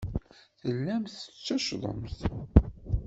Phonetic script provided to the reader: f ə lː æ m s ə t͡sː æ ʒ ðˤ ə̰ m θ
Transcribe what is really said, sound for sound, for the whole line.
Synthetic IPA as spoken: θ ə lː æ m θ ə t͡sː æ ʃ ðˤ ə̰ m θ